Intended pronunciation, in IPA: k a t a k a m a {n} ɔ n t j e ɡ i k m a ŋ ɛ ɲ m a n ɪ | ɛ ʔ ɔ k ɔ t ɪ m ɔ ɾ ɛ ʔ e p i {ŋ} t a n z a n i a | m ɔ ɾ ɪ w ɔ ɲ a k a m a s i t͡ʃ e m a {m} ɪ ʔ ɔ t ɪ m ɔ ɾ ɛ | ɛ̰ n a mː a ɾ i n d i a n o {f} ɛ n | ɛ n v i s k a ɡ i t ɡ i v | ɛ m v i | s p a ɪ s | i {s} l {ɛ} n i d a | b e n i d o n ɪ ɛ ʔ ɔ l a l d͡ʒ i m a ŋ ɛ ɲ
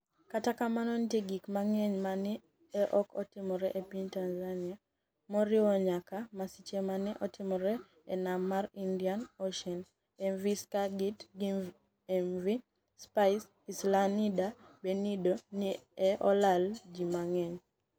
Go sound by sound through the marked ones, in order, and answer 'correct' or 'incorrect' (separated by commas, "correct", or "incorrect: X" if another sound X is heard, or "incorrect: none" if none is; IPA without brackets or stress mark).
correct, incorrect: ɲ, incorrect: n, incorrect: ʃ, correct, incorrect: a